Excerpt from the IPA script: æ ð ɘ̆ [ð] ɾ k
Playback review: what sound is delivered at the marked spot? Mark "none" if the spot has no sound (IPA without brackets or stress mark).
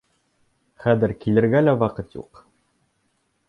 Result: none